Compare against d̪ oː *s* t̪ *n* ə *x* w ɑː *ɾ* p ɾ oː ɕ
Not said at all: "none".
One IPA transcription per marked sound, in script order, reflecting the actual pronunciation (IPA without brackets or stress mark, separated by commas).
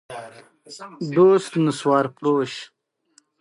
s, n, s, ɾ